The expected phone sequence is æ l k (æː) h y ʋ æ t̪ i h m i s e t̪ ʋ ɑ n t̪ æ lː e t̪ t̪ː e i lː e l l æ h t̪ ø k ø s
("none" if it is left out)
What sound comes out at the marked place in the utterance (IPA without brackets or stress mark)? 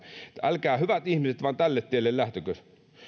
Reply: æː